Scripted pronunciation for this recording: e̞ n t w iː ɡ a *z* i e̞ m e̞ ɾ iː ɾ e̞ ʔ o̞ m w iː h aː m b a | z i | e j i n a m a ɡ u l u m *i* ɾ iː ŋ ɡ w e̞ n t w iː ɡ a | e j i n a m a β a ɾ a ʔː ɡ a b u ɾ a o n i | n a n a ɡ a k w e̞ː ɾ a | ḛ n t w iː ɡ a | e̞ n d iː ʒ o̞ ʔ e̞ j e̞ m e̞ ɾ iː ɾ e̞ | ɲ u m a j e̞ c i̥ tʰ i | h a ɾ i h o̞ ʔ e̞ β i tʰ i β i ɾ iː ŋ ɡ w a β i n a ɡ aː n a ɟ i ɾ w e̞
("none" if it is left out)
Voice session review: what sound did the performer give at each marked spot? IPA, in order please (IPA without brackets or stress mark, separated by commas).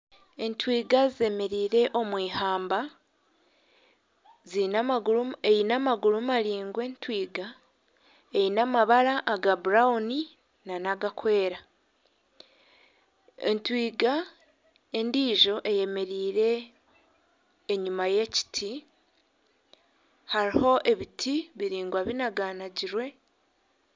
z, a